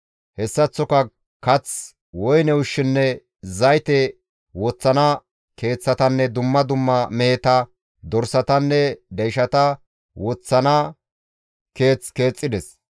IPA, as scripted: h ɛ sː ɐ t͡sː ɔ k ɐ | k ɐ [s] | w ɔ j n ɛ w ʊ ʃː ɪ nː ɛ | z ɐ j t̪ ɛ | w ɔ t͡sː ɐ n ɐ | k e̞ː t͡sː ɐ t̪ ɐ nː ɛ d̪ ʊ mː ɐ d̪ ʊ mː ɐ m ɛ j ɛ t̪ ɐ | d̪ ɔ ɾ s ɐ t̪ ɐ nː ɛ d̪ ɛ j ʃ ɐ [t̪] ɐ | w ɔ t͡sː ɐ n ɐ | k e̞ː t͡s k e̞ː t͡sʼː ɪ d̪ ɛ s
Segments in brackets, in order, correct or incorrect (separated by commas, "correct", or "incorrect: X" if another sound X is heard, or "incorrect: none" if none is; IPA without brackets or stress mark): incorrect: t͡s, correct